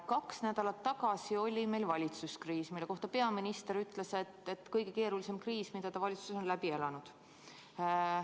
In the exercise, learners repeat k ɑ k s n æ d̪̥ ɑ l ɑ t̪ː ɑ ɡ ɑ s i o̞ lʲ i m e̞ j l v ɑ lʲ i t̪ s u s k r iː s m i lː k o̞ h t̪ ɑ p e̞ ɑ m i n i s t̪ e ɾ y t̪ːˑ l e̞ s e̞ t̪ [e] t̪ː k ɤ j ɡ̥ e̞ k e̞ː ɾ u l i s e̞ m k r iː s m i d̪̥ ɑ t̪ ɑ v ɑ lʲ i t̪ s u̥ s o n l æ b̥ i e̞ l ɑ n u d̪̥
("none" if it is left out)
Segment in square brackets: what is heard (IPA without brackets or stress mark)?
e